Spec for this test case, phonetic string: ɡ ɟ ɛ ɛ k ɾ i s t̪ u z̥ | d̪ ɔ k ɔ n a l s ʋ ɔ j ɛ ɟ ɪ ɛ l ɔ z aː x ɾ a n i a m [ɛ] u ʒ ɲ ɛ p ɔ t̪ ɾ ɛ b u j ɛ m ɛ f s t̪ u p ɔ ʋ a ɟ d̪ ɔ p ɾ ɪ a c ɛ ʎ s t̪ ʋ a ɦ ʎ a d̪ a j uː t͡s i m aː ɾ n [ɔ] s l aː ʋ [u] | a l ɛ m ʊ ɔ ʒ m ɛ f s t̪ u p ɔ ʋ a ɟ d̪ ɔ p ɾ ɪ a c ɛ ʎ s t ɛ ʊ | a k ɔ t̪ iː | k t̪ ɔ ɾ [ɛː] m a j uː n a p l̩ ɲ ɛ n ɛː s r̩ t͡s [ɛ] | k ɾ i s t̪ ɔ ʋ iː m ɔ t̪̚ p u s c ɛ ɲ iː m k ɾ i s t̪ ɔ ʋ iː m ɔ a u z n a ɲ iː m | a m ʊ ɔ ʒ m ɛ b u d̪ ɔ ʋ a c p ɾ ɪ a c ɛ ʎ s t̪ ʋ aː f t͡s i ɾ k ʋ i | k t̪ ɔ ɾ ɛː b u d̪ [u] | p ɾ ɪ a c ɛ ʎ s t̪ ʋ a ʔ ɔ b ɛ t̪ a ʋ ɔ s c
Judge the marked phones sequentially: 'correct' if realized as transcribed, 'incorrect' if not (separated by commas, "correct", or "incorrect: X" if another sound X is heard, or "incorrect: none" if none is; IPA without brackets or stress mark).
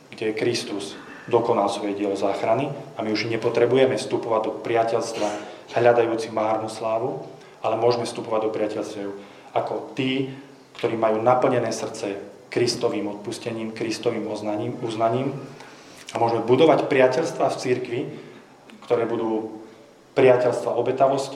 incorrect: i, incorrect: u, correct, incorrect: iː, correct, incorrect: uː